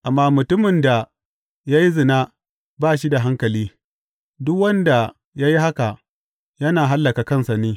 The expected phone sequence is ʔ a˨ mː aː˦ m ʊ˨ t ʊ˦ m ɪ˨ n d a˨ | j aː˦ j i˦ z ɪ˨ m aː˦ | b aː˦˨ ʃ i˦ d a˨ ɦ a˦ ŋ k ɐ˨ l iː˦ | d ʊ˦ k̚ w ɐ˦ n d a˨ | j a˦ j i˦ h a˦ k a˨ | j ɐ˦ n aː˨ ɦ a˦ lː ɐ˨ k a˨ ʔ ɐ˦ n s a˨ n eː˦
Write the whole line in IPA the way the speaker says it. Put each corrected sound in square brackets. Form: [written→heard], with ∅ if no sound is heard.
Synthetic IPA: ʔ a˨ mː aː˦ m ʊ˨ t ʊ˦ m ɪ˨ n d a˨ | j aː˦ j i˦ z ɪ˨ [m→n] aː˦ | b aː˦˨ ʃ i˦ d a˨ ɦ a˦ ŋ k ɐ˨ l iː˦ | d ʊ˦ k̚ w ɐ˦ n d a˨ | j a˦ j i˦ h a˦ k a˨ | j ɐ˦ n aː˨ ɦ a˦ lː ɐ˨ k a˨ [ʔ→k] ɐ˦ n s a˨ n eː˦